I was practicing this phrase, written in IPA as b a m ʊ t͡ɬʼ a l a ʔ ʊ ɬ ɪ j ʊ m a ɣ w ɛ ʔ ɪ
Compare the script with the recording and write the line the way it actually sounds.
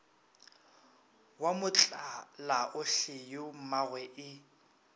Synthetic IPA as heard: w a m ʊ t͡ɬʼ a l a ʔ ʊ ɬ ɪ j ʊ m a ɣ w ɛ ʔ ɪ